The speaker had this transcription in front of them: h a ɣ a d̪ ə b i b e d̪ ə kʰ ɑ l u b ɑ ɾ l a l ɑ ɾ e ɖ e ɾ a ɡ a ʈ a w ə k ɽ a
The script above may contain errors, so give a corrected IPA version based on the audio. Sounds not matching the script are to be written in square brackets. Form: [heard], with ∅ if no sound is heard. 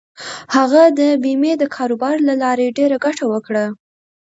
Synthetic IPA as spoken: h a ɣ a d̪ ə b i [m] e d̪ ə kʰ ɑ [ɾ] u b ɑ ɾ l a l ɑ ɾ e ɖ e ɾ a ɡ a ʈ a w ə k ɽ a